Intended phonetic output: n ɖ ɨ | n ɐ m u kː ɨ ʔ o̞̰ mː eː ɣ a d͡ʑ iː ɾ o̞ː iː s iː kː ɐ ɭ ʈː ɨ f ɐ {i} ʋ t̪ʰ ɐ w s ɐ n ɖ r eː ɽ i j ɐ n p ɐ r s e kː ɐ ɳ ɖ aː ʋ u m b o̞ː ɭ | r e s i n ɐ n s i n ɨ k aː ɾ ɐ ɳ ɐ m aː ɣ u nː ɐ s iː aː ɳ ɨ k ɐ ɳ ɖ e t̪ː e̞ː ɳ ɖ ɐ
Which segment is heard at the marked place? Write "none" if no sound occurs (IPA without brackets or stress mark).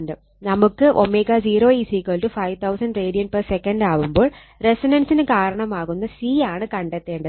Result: j